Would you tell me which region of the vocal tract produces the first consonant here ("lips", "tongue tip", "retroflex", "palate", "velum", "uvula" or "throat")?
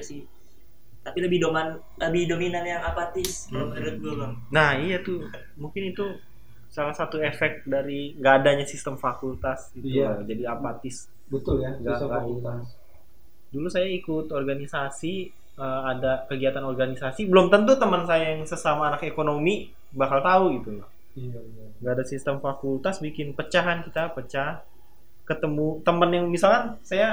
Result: tongue tip